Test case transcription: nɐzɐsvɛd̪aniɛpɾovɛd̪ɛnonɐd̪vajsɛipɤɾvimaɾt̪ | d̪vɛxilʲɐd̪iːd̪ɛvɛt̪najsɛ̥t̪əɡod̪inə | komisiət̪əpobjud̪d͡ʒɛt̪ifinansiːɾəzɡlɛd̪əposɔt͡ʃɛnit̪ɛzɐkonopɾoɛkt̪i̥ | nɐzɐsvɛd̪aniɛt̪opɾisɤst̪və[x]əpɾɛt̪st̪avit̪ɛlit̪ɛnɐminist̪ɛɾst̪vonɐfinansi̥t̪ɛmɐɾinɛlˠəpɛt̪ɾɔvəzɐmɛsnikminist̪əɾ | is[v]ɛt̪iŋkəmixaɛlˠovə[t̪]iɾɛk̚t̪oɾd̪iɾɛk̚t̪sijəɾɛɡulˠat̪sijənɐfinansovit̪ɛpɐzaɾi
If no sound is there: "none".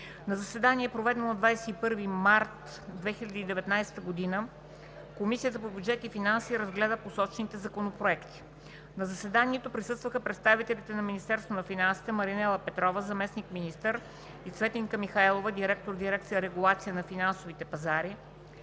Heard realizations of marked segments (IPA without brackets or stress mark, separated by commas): x, v, d̪